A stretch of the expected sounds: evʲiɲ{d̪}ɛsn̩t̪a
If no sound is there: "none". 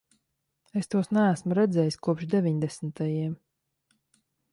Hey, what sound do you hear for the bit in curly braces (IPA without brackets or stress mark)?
d̪